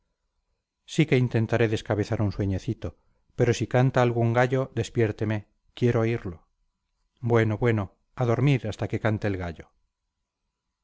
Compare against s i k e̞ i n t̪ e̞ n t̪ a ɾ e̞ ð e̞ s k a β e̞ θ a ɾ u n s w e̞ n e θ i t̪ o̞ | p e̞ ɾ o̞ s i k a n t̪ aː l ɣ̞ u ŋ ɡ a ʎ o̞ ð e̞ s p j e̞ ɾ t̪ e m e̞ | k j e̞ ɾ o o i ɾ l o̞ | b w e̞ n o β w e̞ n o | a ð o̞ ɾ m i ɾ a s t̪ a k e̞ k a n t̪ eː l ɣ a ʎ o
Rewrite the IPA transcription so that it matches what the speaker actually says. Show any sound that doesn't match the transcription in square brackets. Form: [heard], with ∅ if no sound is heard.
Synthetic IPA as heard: s i k e̞ i n t̪ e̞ n t̪ a ɾ e̞ ð e̞ s k a β e̞ θ a ɾ u n s w e̞ [ɲ] e θ i t̪ o̞ | p e̞ ɾ o̞ s i k a n t̪ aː l ɣ̞ u ŋ ɡ a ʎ o̞ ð e̞ s p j e̞ ɾ t̪ e m e̞ | k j e̞ ɾ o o i ɾ l o̞ | b w e̞ n o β w e̞ n o | a ð o̞ ɾ m i ɾ a s t̪ a k e̞ k a n t̪ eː l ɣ a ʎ o